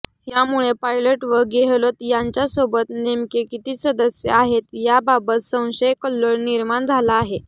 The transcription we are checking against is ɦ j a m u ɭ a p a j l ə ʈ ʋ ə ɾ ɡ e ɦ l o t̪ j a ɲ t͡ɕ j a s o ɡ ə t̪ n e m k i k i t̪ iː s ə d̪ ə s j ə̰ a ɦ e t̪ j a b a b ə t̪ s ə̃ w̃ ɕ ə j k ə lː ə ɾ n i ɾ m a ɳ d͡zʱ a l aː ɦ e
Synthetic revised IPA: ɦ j a m u ɭ e p a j l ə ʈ ʋ ə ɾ ɡ e ɦ l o t̪ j a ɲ t͡ɕ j a s o b ə t̪ n e m k e k i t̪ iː s ə d̪ ə s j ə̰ a ɦ e t̪ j a b a b ə t̪ s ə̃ w̃ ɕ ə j k ə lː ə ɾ n i ɾ m a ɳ d͡zʱ a l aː ɦ e